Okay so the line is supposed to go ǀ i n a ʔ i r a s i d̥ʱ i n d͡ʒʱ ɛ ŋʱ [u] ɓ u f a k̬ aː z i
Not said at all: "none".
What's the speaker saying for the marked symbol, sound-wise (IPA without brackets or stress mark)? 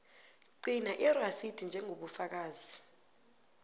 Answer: o